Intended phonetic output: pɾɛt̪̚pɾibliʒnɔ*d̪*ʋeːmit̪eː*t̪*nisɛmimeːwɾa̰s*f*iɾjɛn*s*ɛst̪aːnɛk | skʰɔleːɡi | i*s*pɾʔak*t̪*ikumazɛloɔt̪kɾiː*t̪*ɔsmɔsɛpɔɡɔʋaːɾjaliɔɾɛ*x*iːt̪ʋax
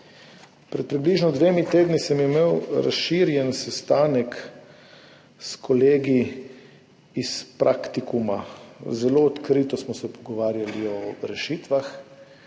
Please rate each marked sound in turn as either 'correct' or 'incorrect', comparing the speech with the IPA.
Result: correct, incorrect, incorrect, correct, correct, correct, correct, incorrect

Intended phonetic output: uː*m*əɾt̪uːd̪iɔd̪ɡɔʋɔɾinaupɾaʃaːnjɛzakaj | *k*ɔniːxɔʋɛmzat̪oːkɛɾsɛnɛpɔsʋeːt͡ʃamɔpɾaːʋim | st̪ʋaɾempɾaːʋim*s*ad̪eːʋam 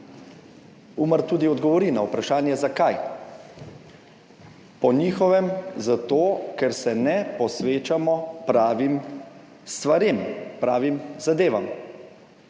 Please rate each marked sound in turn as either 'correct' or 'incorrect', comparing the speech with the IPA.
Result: correct, incorrect, incorrect

